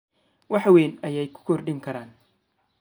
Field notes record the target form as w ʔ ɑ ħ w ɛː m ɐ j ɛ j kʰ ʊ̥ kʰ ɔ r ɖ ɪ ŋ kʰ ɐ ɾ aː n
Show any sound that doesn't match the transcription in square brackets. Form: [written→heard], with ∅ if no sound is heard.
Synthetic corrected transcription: w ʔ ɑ ħ w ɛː [m→n] ɐ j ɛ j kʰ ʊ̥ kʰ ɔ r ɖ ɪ ŋ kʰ ɐ ɾ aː n